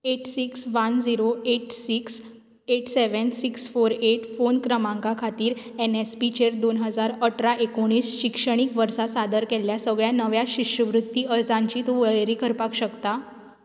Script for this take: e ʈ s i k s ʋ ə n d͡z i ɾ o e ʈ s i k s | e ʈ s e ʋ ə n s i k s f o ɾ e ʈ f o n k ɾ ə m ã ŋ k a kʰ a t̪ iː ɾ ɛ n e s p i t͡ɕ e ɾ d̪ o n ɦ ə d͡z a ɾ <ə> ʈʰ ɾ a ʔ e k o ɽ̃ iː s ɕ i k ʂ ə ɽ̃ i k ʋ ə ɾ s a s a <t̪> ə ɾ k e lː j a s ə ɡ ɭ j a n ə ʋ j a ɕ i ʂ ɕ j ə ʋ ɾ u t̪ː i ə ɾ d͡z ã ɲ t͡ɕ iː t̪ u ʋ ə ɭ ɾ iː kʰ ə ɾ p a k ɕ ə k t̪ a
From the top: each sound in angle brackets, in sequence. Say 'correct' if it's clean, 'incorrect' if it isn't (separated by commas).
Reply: correct, incorrect